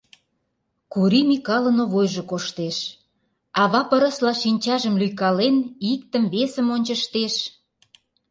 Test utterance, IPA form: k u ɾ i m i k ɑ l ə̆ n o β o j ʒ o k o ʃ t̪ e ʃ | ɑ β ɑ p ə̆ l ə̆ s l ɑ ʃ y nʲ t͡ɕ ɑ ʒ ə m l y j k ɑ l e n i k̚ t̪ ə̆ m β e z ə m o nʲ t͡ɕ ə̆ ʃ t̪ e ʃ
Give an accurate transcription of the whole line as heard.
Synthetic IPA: k u ɾ i m i k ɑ l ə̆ n o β o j ʒ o k o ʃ t̪ e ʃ | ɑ β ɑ p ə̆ ɾ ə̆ s l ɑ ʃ i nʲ t͡ɕ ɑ ʒ ə m l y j k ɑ l e n i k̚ t̪ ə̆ m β e s ə m o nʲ t͡ɕ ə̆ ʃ t̪ e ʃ